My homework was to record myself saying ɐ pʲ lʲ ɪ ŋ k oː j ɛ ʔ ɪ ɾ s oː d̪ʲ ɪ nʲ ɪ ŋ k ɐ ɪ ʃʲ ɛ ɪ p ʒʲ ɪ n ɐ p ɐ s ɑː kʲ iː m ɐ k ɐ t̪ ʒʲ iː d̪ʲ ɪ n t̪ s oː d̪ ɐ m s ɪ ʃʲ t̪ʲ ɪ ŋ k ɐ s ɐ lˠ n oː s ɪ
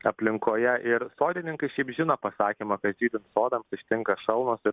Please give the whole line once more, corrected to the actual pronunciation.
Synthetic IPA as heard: ɐ pʲ lʲ ɪ ŋ k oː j ɛ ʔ ɪ ɾ s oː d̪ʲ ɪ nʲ ɪ ŋ k ɐ ɪ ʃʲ ɛ ɪ p ʒʲ ɪ n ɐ p ɐ s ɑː kʲ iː m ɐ k ɐ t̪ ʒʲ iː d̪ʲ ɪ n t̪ s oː d̪ ɐ m s ɪ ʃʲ t̪ʲ ɪ ŋ k ɐ ʃ ɐ lˠ n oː s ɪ